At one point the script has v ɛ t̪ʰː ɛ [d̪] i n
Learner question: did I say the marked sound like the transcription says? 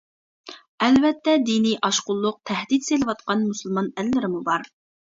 yes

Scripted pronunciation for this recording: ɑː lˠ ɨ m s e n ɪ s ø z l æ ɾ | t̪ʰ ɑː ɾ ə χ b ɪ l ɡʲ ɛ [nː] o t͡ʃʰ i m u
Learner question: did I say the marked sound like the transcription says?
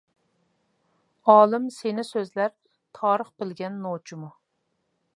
yes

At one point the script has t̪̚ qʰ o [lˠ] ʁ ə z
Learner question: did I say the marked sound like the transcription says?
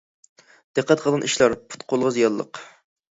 yes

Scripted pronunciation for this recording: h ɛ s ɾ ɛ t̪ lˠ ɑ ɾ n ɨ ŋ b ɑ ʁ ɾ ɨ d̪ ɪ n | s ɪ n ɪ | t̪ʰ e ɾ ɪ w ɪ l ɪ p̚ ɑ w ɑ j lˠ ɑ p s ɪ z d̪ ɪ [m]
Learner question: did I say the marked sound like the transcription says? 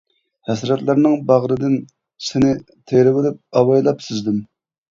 yes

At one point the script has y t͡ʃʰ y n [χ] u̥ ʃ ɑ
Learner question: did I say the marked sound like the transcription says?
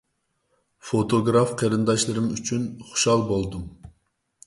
yes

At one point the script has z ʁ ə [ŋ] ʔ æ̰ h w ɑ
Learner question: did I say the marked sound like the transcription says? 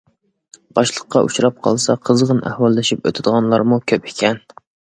no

